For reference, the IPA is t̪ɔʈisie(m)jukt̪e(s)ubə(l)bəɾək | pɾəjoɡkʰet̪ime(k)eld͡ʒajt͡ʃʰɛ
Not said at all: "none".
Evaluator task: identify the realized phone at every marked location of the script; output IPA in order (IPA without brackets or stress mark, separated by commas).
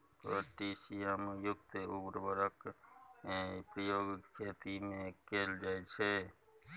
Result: m, none, ɾ, k